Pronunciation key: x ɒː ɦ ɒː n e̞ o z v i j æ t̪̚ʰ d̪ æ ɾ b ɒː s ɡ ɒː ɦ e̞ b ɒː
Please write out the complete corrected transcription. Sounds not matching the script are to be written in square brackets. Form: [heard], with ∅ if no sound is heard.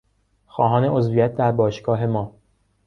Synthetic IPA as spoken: x ɒː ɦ ɒː n e̞ o z v i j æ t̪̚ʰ d̪ æ ɾ b ɒː [ʃ] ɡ ɒː ɦ e̞ [m] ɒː